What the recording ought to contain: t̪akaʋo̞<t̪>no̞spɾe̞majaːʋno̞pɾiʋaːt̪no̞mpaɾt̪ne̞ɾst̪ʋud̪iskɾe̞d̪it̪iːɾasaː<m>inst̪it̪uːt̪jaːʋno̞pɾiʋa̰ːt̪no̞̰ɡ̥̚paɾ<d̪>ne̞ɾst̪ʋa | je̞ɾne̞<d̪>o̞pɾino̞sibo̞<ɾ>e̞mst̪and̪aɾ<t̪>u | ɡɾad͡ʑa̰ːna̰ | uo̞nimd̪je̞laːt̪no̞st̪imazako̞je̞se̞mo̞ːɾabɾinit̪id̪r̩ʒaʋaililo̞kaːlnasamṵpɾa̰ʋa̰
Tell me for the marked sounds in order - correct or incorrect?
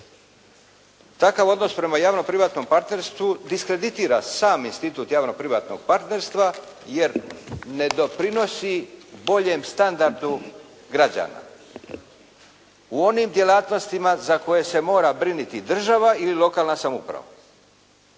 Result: incorrect: d̪, correct, incorrect: t̪, correct, incorrect: ʎ, incorrect: d̪

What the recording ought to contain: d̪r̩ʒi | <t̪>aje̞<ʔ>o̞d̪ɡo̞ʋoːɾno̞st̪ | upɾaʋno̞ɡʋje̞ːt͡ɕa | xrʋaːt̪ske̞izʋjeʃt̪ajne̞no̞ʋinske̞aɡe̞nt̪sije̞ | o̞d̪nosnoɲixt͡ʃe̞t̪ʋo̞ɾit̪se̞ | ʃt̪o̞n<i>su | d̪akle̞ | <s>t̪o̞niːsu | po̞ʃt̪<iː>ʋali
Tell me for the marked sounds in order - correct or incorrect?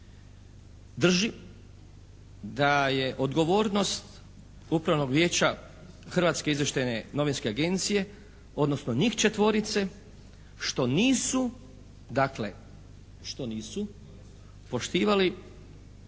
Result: incorrect: d̪, correct, incorrect: iː, incorrect: ʃ, correct

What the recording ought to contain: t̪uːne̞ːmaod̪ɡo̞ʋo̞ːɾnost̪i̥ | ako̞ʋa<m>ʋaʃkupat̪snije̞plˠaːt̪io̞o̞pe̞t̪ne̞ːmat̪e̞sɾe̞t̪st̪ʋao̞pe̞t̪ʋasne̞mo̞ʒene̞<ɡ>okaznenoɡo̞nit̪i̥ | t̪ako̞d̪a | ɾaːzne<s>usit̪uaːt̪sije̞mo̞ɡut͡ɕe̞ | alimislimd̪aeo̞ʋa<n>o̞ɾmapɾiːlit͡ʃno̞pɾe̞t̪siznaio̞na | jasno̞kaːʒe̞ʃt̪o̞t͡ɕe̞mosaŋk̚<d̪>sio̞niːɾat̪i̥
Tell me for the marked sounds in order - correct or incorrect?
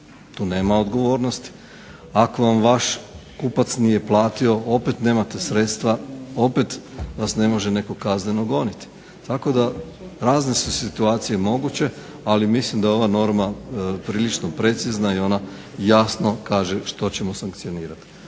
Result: correct, incorrect: k, correct, correct, incorrect: t̪

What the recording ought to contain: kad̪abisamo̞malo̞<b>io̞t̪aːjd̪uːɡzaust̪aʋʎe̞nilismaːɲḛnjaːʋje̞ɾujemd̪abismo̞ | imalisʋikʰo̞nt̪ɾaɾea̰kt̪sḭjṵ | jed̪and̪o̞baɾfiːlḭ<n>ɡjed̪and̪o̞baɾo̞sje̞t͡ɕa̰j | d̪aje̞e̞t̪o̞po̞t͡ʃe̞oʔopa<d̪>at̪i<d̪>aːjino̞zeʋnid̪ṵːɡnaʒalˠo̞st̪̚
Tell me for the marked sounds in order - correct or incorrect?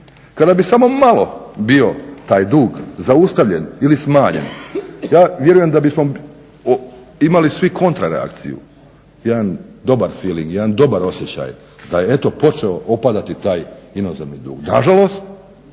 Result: correct, incorrect: ŋ, correct, incorrect: t̪

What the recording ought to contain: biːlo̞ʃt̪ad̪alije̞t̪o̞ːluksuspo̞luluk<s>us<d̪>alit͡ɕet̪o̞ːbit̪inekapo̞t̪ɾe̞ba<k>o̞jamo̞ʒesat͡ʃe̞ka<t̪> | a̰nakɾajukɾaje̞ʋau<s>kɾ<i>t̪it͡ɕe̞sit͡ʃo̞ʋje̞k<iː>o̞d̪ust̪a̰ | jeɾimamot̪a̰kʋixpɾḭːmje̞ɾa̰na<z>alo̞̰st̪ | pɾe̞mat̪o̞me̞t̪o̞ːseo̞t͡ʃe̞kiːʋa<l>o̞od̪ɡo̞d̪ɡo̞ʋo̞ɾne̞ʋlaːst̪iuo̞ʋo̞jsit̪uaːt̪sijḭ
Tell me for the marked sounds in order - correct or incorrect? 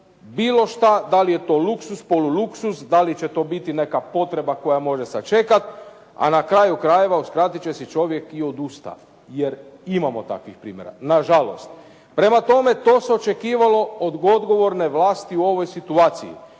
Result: correct, correct, correct, correct, correct, incorrect: a, incorrect: i, incorrect: ʒ, correct

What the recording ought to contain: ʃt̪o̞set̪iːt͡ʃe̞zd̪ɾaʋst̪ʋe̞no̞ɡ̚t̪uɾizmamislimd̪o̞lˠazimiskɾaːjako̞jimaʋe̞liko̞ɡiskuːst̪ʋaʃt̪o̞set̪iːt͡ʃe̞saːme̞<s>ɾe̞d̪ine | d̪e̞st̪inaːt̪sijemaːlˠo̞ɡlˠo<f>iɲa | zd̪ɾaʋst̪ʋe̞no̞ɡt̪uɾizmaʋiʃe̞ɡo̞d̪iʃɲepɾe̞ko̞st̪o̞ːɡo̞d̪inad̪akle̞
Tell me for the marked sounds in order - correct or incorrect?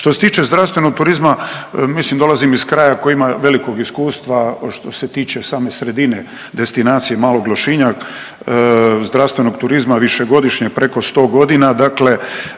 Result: correct, incorrect: ʃ

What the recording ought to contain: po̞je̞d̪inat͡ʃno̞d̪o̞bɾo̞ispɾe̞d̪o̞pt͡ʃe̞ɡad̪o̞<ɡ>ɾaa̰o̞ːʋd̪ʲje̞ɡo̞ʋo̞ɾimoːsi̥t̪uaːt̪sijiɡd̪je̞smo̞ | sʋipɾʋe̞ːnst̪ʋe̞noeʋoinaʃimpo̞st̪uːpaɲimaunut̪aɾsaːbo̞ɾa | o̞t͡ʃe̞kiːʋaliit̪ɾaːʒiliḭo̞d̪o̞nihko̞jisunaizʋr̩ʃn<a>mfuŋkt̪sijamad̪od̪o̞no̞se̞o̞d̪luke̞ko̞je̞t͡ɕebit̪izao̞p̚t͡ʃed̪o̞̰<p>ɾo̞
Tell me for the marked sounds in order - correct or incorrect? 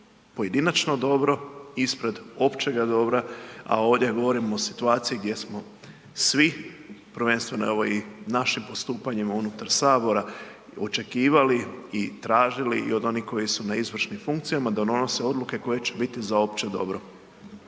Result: incorrect: b, incorrect: i, incorrect: b

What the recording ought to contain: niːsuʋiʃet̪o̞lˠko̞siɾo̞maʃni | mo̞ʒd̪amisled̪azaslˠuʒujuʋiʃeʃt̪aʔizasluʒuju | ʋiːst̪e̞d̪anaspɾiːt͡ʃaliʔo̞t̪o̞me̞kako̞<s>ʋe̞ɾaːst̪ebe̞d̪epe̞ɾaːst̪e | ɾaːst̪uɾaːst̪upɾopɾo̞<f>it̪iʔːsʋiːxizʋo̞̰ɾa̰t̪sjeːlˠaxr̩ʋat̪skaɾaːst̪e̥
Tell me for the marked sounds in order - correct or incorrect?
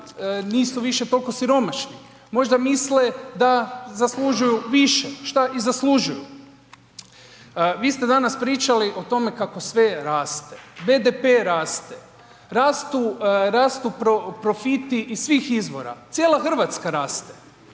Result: correct, correct

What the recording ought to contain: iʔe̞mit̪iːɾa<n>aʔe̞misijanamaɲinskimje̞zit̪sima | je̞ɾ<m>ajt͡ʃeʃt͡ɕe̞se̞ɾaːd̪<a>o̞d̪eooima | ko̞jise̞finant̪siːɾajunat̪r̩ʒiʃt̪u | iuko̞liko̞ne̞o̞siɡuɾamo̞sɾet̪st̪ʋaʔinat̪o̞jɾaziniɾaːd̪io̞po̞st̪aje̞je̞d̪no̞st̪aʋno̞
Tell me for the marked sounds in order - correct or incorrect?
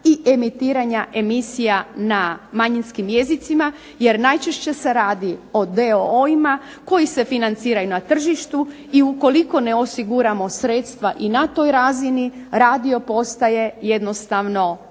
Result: incorrect: ɲ, incorrect: n, incorrect: i

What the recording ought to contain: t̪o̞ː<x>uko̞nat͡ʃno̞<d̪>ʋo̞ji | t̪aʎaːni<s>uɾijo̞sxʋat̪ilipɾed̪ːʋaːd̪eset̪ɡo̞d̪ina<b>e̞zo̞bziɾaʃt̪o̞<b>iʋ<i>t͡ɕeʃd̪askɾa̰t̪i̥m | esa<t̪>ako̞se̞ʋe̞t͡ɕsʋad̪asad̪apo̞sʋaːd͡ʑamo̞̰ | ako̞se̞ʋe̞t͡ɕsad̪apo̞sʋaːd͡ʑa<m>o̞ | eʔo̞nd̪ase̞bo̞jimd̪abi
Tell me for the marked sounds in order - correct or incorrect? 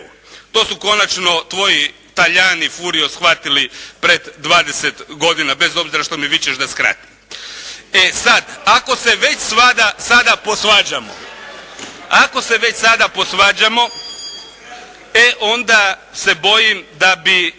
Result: incorrect: s, incorrect: t̪, incorrect: f, correct, incorrect: m, correct, incorrect: d̪, correct

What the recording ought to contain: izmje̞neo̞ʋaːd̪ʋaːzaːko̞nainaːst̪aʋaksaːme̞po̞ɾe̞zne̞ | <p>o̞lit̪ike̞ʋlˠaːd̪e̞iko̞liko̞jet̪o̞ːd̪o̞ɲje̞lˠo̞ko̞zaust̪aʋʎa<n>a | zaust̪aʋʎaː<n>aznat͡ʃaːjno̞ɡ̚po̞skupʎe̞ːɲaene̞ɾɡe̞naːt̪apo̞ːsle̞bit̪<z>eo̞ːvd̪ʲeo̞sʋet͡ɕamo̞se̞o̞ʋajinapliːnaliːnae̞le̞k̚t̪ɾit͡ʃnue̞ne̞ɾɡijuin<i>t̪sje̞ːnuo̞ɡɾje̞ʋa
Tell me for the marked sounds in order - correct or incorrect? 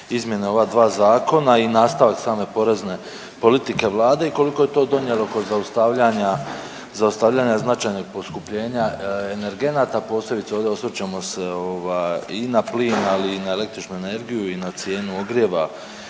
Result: correct, incorrect: ɲ, incorrect: ɲ, incorrect: s, incorrect: a

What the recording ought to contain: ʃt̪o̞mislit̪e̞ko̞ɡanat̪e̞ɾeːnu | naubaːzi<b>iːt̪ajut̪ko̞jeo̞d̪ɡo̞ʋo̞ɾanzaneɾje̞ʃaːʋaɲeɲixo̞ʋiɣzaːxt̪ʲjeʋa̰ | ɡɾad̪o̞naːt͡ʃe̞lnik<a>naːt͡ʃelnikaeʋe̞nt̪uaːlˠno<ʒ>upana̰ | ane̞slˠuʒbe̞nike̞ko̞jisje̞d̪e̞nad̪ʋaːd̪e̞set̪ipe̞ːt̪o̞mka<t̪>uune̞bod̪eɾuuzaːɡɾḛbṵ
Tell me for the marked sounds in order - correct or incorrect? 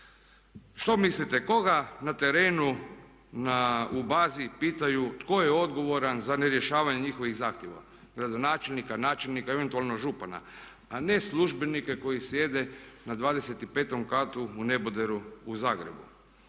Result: incorrect: p, correct, correct, correct

